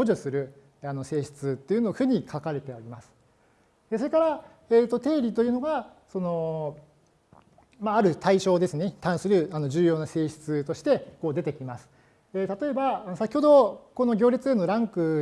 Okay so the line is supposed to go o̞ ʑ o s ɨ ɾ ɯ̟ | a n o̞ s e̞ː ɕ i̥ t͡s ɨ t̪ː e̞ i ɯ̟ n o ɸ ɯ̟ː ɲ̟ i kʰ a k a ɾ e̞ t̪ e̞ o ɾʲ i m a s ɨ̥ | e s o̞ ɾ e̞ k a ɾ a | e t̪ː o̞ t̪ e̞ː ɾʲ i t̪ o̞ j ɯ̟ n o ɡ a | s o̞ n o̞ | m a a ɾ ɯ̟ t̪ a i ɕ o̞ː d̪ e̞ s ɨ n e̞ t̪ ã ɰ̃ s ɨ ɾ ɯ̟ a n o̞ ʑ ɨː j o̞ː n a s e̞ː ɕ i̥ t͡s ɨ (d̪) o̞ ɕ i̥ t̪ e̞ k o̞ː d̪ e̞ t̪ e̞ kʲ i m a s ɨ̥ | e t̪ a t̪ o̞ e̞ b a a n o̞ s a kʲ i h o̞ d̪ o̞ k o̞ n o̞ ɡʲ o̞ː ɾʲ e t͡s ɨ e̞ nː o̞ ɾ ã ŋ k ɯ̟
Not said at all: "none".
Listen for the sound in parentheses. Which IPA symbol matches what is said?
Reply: t̪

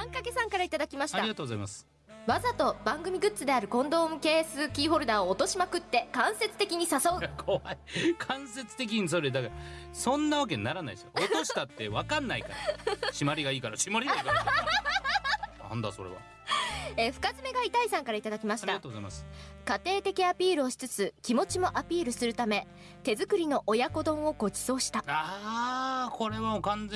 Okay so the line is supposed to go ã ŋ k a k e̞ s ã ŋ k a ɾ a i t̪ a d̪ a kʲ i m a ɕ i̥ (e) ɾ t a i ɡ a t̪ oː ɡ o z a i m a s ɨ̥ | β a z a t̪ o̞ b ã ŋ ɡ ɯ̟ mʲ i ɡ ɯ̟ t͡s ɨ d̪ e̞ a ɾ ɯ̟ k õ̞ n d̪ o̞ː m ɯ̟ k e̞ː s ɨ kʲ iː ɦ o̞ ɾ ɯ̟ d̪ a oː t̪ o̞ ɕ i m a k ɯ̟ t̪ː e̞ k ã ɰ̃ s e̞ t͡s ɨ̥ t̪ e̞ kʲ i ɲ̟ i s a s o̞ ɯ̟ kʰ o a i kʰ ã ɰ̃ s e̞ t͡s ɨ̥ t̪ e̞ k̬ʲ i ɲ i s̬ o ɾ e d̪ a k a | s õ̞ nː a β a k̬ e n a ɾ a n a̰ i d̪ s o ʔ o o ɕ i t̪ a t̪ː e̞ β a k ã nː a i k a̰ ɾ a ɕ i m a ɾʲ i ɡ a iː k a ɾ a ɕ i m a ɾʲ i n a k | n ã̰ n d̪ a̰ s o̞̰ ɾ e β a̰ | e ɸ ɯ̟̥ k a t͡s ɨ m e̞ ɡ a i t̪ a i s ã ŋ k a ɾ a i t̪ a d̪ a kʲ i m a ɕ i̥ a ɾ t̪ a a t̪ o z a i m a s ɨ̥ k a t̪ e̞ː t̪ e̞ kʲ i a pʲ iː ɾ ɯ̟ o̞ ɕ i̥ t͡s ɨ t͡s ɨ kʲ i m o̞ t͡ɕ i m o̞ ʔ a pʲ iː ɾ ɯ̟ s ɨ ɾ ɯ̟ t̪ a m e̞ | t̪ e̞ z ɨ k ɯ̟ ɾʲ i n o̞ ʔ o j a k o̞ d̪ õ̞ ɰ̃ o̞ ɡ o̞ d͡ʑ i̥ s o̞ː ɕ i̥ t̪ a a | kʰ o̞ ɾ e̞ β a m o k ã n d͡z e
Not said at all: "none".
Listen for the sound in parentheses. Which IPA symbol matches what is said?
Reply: a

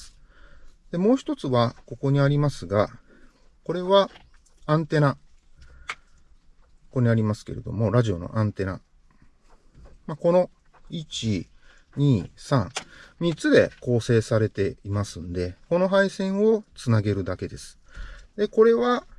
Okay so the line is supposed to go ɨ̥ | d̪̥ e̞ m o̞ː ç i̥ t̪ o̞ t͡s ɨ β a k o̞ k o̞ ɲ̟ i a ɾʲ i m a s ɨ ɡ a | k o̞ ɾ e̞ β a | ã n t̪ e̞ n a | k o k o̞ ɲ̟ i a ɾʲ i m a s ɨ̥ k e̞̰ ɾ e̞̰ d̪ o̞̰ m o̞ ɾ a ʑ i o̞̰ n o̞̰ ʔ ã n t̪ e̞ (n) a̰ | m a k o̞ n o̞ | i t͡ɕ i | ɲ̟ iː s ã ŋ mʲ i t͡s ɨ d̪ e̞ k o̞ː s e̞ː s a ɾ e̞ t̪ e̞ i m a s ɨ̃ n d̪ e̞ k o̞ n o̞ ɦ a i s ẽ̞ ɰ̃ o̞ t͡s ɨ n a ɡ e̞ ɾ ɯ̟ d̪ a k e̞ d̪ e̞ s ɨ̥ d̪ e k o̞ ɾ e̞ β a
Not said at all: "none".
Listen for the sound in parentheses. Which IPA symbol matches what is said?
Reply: n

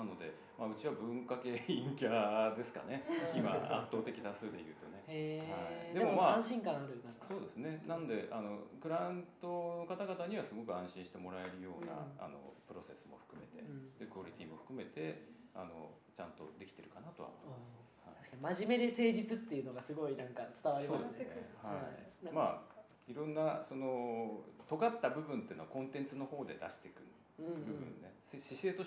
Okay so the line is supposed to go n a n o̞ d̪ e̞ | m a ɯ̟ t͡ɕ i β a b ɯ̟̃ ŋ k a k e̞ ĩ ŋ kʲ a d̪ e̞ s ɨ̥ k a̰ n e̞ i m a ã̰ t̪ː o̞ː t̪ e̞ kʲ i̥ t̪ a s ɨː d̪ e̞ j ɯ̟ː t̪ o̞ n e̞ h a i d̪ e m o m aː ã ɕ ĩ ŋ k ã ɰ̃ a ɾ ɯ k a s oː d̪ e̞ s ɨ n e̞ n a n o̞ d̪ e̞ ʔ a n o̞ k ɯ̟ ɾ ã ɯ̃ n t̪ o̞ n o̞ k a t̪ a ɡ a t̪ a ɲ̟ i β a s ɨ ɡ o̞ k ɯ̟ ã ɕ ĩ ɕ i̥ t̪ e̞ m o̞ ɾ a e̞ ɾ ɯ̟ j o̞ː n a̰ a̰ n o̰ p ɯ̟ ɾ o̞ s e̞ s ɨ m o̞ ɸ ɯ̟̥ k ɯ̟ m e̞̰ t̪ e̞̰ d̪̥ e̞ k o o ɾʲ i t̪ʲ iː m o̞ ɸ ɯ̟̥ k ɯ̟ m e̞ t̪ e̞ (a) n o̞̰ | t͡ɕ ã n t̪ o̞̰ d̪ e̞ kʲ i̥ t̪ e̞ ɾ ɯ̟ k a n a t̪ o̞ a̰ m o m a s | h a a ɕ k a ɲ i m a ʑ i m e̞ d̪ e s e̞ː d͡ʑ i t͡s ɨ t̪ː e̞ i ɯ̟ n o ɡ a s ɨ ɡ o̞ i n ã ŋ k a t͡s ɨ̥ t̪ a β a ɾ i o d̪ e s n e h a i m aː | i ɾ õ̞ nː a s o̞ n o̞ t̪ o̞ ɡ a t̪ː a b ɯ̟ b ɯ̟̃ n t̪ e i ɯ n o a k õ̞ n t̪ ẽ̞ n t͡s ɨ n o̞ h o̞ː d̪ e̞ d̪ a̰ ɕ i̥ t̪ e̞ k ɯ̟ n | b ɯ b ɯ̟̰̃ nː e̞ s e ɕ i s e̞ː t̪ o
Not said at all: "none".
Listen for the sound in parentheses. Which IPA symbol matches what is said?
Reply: a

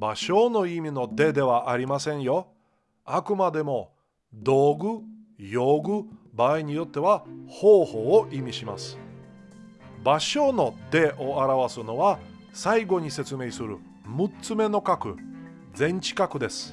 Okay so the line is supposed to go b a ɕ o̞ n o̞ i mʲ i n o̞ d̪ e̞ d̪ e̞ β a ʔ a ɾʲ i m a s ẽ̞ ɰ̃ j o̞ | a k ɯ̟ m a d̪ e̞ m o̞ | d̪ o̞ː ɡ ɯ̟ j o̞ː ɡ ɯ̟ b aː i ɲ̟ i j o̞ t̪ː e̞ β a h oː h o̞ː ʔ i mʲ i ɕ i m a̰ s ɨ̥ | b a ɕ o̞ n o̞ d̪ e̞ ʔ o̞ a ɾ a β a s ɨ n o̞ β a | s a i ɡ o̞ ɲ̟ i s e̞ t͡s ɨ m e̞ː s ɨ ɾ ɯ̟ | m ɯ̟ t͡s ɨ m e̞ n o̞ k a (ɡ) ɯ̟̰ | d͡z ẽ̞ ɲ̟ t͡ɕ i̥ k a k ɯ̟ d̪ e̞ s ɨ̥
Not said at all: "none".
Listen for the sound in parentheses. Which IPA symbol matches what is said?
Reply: k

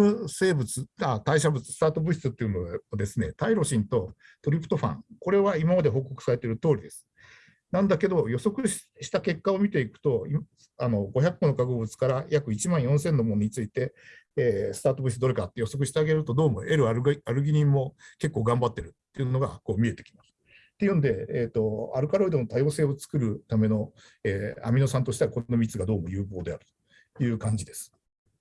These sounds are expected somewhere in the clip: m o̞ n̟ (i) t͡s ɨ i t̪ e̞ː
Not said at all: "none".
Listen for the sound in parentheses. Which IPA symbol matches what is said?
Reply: i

